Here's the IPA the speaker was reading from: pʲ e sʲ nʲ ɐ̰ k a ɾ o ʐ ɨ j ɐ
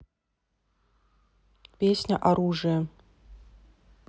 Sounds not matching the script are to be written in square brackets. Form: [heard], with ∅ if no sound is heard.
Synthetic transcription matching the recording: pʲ e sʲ nʲ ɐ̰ [ʔ] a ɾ [u] ʐ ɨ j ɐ

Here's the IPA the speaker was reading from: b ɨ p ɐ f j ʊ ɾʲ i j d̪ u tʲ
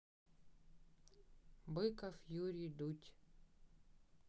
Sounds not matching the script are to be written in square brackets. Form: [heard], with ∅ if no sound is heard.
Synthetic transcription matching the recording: b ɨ [k] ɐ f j [u] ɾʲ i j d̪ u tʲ

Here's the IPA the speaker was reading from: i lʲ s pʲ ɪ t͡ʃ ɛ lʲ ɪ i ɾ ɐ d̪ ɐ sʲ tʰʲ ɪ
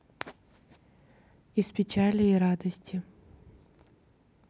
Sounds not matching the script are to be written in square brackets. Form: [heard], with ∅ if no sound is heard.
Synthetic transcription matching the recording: i [∅] s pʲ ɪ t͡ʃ [a] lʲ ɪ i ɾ [a] d̪ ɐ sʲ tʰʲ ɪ

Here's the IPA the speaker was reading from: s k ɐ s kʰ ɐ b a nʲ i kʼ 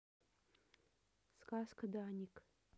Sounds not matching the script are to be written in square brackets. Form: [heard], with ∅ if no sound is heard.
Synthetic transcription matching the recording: s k [a] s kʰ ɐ [d] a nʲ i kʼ

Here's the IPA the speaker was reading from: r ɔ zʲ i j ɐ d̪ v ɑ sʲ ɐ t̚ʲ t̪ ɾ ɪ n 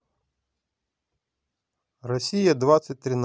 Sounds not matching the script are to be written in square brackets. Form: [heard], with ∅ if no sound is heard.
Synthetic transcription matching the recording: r ɔ [sʲ] i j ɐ d̪ [ʋ] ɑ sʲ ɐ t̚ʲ t̪ ɾ ɪ n

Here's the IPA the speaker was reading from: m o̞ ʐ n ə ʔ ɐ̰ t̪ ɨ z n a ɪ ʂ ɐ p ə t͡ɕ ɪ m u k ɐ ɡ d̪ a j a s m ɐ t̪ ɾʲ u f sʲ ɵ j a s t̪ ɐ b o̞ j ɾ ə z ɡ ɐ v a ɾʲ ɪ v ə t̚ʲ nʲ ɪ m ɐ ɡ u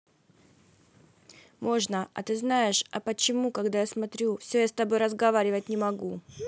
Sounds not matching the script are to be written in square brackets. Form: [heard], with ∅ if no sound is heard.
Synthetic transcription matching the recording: m o̞ ʐ n ə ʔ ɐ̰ t̪ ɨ z n a ɪ ʂ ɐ p ə t͡ɕ ɪ m u k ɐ ɡ d̪ a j a s m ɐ t̪ ɾʲ u f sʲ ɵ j a s t̪ ɐ b o̞ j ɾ ə z ɡ ɐ v a ɾʲ ɪ v ə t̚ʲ nʲ ɪ m ɐ ɡ u

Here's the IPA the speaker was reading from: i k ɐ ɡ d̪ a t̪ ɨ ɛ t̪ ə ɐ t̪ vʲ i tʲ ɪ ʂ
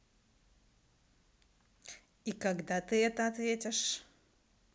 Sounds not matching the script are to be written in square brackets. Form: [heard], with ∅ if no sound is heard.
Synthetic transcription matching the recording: i k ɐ ɡ d̪ a t̪ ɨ ɛ t̪ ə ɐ t̪ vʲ [e] tʲ ɪ ʂ

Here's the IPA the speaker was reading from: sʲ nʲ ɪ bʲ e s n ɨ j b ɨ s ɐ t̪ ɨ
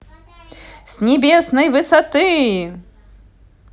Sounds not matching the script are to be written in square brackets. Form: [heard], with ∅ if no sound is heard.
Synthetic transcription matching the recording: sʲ nʲ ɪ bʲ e s n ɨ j [v] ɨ s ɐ t̪ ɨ

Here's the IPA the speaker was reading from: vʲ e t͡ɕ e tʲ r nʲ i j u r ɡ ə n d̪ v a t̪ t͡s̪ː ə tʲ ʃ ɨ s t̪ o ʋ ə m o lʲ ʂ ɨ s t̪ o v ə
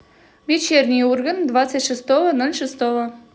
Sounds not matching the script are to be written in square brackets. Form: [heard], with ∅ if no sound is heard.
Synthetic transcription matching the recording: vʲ e t͡ɕ e [∅] r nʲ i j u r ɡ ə n d̪ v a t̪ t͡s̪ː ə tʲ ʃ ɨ s t̪ o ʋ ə [n] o lʲ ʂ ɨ s t̪ o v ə

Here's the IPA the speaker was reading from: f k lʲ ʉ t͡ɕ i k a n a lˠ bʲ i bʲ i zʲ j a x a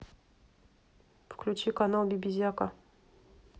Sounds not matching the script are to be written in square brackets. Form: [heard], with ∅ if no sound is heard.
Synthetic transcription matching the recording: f k lʲ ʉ t͡ɕ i k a n a lˠ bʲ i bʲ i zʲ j a [k] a

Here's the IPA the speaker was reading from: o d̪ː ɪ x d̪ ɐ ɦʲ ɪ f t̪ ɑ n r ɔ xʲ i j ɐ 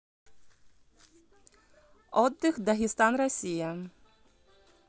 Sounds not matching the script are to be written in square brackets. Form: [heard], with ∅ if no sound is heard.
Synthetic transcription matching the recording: [ɔ] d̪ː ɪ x d̪ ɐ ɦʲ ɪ [s] t̪ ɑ n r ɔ [sʲ] i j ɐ

